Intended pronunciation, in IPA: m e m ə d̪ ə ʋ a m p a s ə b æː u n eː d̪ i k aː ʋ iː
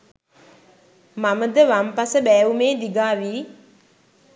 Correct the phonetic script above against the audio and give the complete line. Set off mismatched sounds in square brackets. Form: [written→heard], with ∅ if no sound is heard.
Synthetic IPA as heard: m [e→a] m ə d̪ ə ʋ a m p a s ə b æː u [n→m] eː d̪ i [k→ɡ] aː ʋ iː